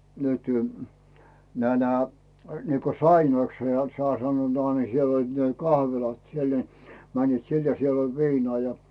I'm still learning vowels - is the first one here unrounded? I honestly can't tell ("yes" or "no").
no